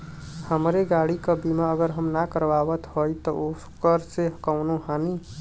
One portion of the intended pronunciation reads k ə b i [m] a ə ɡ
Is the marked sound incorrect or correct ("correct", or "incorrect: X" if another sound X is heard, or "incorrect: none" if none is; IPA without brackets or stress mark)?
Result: correct